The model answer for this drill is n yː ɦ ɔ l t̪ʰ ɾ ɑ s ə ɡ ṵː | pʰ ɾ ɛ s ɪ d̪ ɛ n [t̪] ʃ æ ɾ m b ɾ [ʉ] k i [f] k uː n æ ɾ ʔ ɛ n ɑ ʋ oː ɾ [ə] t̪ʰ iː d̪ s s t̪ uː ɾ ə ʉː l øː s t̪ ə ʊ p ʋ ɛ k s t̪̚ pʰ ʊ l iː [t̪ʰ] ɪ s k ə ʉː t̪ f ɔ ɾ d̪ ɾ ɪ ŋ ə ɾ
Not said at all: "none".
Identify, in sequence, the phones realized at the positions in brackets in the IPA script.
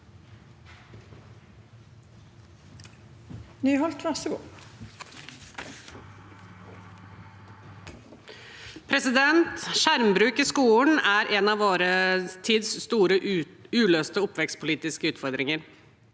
t̪, ʉː, s, ə, t̪

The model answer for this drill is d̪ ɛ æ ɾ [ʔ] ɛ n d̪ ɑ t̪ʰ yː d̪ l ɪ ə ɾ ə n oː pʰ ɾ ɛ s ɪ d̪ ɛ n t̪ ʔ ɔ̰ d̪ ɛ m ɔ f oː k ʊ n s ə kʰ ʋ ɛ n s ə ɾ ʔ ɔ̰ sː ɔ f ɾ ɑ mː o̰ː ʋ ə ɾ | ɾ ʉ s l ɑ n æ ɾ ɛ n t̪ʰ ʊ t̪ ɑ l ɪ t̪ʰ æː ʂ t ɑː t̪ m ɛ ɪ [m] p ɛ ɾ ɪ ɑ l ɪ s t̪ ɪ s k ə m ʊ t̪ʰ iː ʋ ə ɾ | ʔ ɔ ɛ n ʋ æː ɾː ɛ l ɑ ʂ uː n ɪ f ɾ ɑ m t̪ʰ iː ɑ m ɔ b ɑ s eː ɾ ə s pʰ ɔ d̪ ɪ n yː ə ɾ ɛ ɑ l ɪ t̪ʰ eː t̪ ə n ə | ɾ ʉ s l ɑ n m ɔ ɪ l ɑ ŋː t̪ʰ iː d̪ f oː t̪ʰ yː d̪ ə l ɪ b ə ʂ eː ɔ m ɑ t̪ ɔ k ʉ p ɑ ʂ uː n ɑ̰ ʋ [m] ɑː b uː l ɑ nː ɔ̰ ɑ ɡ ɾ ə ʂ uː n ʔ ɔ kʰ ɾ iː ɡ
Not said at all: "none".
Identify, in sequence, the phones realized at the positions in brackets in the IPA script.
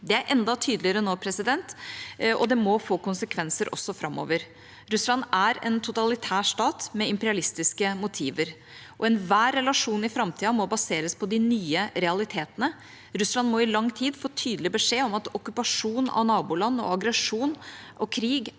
ʔ, m, n

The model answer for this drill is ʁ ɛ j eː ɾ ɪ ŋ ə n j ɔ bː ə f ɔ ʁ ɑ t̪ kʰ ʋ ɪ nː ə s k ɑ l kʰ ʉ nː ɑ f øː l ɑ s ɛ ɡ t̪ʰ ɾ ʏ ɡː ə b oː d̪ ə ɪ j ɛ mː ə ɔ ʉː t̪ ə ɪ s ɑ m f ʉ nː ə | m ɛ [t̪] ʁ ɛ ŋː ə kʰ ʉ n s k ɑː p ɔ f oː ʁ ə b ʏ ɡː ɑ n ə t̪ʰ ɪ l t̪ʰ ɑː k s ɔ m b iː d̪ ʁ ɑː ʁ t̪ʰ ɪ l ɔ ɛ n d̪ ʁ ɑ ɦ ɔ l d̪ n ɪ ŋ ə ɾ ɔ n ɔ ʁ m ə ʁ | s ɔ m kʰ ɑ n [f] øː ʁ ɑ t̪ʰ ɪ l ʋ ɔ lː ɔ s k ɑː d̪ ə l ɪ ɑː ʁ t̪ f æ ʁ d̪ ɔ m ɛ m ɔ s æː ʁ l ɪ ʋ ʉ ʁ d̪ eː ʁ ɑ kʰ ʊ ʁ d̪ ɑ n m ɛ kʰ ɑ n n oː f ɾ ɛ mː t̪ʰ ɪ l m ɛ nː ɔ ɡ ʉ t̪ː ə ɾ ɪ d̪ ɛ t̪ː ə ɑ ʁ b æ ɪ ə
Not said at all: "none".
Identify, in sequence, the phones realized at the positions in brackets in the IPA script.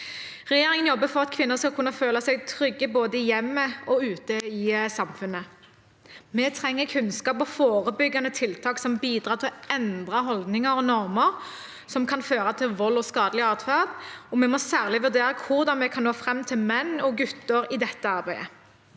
t̪ʰ, f

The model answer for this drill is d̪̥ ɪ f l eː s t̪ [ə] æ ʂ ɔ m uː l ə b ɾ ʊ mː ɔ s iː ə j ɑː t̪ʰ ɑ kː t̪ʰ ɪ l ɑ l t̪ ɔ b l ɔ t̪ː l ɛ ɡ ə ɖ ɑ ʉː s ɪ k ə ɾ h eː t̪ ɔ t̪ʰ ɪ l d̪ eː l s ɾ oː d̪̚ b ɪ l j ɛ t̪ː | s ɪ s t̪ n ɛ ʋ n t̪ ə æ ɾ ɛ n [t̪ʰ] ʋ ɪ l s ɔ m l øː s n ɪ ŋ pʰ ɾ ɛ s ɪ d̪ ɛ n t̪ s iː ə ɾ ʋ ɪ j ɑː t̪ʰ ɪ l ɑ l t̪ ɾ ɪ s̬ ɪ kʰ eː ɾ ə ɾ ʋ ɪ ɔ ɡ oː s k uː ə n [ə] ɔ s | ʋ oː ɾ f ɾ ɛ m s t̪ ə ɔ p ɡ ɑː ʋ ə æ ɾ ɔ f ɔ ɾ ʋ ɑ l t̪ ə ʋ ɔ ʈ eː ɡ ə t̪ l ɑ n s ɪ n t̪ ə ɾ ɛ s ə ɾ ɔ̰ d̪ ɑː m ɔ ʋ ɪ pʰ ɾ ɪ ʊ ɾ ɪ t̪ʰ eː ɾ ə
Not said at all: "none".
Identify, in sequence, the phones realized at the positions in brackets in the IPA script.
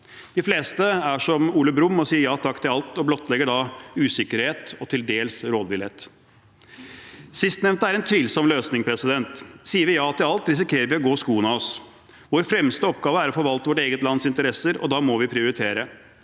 ə, t̪ʰ, ɑ

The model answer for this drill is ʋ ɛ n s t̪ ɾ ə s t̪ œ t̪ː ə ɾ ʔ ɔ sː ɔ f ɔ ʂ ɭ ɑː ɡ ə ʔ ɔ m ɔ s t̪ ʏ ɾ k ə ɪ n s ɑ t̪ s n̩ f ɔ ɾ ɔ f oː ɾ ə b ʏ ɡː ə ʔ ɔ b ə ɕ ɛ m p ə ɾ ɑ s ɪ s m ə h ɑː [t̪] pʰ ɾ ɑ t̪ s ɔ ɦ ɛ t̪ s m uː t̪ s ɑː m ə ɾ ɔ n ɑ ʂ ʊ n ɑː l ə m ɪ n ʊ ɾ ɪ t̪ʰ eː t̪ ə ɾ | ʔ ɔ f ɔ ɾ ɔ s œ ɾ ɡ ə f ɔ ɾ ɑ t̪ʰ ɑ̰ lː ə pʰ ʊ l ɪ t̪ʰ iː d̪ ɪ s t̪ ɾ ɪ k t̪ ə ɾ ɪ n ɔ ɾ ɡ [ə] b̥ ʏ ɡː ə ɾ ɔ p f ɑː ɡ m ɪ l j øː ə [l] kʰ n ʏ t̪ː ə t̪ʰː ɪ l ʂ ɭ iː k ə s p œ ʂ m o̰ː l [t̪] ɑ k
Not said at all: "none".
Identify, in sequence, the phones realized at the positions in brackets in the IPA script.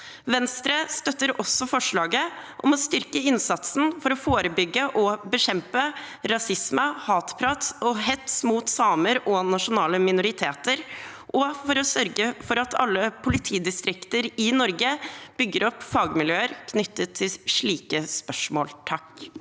t̪, ə, ɾ, t̪ʰ

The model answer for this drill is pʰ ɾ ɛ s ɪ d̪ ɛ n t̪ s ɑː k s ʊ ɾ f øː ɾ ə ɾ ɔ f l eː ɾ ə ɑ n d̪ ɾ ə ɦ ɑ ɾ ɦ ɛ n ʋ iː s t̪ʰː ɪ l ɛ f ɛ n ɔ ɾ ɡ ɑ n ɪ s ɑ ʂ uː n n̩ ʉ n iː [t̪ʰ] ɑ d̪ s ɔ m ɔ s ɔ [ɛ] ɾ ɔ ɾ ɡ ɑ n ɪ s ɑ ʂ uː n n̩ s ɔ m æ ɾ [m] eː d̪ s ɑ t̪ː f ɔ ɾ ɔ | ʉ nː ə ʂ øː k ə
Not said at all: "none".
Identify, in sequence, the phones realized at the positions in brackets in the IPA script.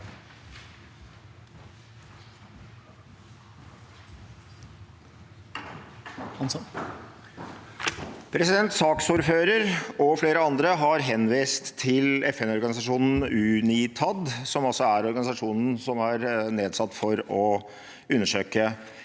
t̪ʰ, æ, n

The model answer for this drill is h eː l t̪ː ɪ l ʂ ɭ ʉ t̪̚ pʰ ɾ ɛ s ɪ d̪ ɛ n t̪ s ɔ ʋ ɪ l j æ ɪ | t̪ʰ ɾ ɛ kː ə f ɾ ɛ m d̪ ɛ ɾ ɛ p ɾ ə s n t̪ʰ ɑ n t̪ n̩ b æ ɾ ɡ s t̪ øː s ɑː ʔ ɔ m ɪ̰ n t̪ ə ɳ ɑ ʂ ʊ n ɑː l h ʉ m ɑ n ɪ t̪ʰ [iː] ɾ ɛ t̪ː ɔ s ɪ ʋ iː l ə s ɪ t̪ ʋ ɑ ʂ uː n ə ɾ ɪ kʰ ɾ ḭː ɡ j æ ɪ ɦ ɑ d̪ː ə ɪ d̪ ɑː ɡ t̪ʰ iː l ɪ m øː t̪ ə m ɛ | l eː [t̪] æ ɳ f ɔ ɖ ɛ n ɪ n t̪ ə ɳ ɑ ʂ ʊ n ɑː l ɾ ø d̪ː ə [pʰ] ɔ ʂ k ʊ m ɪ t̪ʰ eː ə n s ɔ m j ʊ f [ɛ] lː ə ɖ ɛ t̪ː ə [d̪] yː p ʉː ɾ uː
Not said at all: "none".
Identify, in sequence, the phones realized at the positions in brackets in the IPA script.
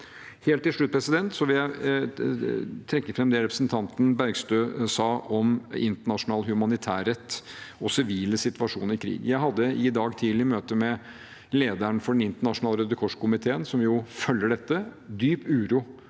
æː, d̪, kʰ, œ, d̪

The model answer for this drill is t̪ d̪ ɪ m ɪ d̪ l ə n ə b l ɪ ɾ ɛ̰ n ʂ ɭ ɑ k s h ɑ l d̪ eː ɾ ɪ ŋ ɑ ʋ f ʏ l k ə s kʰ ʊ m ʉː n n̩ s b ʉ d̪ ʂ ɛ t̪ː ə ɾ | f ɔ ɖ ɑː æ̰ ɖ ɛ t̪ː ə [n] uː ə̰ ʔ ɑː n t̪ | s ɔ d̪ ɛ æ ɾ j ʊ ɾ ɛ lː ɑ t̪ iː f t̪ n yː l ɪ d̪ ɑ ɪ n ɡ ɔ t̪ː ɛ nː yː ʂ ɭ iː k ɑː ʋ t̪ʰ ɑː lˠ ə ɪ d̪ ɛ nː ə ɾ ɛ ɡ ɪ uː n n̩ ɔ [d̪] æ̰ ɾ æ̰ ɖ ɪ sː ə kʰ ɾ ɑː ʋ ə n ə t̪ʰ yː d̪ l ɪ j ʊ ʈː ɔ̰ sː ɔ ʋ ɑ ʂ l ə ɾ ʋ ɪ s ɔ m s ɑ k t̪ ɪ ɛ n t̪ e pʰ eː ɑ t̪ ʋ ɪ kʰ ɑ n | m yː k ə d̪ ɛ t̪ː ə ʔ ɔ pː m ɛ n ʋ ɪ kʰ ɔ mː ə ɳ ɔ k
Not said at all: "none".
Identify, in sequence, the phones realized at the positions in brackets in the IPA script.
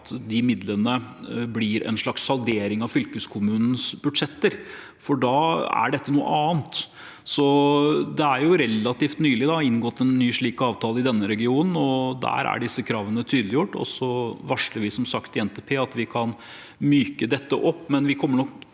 n, d̪

